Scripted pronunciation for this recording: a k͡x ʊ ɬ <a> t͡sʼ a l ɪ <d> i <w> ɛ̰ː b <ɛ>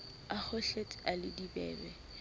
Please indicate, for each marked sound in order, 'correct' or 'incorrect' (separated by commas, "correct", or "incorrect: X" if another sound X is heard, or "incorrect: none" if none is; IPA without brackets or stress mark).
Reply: incorrect: e, correct, incorrect: b, correct